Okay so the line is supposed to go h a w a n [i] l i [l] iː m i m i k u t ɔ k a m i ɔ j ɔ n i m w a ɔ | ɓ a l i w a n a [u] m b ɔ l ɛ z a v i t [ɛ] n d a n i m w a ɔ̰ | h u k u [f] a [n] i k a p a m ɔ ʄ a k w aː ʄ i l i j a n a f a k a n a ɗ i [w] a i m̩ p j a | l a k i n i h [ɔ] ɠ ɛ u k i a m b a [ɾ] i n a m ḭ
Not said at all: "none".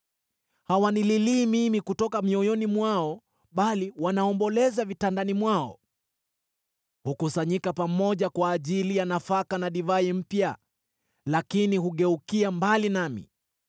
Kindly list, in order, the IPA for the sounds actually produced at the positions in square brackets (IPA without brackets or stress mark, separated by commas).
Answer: i, l, ɔ, a, s, ɲ, v, u, l